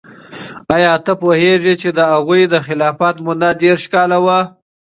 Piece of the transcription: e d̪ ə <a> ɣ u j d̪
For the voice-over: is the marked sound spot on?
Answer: yes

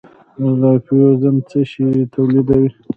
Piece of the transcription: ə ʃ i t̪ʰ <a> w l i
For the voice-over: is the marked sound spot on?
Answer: yes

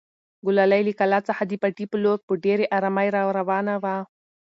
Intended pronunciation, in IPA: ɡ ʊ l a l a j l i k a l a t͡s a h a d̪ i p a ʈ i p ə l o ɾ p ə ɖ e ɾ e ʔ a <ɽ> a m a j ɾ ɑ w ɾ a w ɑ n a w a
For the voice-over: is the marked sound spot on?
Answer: no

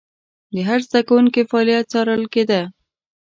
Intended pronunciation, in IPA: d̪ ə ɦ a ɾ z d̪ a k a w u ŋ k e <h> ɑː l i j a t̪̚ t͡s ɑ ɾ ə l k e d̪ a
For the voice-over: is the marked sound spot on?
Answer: no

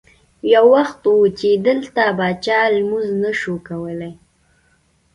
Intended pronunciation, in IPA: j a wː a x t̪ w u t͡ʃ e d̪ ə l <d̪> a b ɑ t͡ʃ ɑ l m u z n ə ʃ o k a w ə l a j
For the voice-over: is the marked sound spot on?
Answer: no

